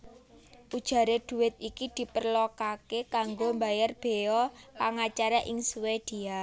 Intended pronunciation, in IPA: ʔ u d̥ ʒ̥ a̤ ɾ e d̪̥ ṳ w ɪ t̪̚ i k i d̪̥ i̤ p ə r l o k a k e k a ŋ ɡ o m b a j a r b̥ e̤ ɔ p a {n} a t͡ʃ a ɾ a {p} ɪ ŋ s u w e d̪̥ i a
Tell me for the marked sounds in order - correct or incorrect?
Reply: incorrect: ŋ, incorrect: ʔ

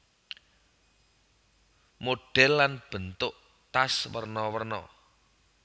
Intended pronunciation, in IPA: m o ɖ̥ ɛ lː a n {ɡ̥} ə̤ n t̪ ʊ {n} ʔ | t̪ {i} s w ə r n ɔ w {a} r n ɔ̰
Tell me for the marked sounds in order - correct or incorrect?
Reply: incorrect: b̥, incorrect: none, incorrect: a, incorrect: ə

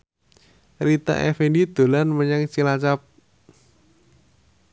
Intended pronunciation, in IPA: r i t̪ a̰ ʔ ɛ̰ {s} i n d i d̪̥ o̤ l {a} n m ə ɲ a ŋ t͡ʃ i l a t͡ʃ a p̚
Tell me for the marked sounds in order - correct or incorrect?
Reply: incorrect: f, correct

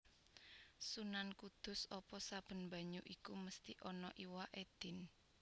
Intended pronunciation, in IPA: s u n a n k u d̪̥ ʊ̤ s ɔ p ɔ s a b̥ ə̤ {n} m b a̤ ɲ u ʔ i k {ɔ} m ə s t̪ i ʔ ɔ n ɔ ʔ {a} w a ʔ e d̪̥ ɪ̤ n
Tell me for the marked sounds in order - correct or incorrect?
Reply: correct, incorrect: u, incorrect: i

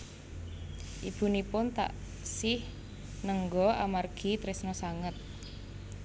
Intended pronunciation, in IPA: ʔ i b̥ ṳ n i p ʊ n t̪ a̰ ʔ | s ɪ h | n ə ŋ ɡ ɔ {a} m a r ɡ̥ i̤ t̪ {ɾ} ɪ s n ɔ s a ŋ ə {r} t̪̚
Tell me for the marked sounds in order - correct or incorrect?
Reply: correct, correct, incorrect: none

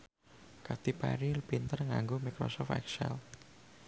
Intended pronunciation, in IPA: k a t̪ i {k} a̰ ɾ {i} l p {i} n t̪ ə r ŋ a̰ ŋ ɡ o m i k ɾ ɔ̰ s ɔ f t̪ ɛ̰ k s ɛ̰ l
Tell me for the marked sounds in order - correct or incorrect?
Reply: incorrect: p, correct, correct

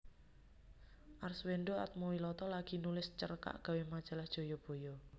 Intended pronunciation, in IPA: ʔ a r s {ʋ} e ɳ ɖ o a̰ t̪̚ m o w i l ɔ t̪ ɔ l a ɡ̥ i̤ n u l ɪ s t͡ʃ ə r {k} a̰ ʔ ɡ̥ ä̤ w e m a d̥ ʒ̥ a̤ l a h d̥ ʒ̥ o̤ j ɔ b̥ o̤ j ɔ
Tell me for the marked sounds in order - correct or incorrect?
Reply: incorrect: w, correct

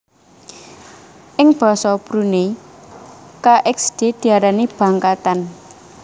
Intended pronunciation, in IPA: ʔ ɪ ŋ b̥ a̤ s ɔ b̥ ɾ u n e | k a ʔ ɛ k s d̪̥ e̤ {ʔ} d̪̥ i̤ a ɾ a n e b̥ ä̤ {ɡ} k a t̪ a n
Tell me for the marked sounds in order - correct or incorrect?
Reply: incorrect: none, incorrect: ŋ

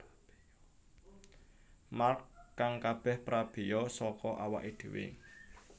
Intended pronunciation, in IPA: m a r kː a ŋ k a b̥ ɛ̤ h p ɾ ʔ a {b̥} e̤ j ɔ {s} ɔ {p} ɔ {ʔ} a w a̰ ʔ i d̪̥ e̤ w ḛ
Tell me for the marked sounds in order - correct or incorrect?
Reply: correct, correct, incorrect: k, correct

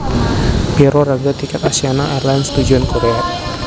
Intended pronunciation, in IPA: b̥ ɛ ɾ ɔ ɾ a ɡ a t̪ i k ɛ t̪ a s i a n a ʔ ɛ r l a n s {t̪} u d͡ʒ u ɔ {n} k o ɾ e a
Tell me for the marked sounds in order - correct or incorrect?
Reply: correct, correct

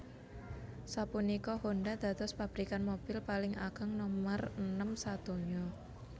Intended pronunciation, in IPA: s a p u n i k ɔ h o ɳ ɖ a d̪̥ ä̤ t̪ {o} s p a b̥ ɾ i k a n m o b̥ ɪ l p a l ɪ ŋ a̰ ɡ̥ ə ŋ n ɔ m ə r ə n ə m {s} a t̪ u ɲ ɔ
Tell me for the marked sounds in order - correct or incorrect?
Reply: incorrect: ɔ, correct

